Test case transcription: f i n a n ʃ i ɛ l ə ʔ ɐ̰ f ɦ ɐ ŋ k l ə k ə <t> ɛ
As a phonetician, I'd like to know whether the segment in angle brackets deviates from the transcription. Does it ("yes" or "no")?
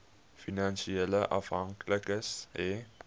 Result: yes